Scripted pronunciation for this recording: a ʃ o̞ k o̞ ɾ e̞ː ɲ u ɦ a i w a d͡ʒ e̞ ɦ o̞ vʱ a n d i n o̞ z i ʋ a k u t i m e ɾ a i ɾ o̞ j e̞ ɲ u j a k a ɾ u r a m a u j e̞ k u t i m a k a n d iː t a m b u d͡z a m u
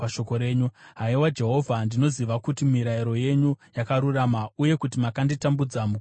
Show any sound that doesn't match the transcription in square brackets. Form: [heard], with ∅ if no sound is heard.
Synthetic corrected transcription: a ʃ o̞ k o̞ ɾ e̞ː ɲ u ɦ a i w a d͡ʒ e̞ ɦ o̞ vʱ a n d i n o̞ z i ʋ a k u t i m [i] ɾ a i ɾ o̞ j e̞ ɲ u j a k a ɾ u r a m a u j e̞ k u t i m a k a n d [i] t a m b u d͡z a m u